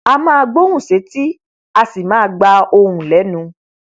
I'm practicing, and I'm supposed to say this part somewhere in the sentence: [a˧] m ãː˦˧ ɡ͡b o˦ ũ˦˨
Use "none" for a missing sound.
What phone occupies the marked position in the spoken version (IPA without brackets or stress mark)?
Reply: a˧